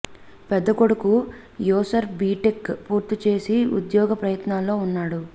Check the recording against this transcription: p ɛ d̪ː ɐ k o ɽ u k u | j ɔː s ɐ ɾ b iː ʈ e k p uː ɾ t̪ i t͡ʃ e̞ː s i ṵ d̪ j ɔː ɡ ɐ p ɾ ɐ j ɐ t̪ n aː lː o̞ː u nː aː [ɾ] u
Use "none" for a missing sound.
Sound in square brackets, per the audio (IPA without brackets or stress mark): ɽ